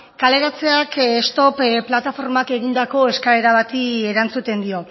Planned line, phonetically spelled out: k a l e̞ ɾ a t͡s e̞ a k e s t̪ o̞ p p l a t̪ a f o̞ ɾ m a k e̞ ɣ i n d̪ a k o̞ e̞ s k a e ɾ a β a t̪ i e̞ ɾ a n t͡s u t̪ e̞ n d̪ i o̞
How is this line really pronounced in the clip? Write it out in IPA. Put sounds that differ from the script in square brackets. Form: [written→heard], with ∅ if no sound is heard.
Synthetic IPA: k a l e̞ ɾ a t͡s e̞ a k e s t̪ o̞ p p l a t̪ a f o̞ ɾ m a k e̞ ɣ i n d̪ a k o̞ e̞ s k a e ɾ a β a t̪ i e̞ ɾ a n t͡s u t̪ e̞ n d̪ i o̞